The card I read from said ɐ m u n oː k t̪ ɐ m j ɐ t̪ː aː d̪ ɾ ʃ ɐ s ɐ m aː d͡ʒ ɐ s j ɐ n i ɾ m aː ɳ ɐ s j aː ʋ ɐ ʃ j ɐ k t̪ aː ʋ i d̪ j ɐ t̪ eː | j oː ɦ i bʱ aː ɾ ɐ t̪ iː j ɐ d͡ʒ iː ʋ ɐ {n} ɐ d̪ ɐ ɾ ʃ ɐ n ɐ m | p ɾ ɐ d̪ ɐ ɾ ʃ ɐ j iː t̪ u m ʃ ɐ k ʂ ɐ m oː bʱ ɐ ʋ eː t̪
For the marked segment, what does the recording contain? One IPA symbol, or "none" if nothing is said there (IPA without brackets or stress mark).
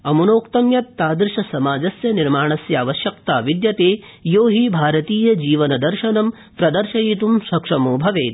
n